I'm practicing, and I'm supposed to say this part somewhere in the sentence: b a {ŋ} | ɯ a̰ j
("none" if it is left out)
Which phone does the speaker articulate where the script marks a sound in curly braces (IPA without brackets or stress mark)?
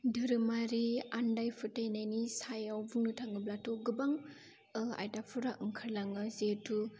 ŋ